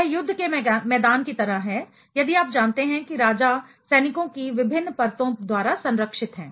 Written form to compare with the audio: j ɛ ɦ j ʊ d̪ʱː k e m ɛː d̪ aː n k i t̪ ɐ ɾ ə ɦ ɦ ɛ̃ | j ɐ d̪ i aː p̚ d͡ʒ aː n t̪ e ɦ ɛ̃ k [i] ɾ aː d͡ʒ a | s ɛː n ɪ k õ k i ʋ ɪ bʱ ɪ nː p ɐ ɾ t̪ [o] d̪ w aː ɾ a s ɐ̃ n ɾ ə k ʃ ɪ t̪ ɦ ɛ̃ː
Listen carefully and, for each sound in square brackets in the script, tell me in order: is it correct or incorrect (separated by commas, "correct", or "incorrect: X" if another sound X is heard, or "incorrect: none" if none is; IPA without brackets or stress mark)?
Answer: correct, incorrect: õ